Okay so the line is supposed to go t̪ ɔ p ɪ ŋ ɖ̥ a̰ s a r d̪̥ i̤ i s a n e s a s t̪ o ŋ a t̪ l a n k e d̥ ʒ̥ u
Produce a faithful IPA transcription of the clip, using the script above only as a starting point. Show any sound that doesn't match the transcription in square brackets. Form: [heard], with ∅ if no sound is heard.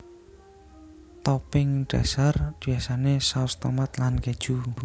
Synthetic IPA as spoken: t̪ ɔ p ɪ ŋ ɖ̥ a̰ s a r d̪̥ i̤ [a] s a n e s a s t̪ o [m] a t̪ l a n k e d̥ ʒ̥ u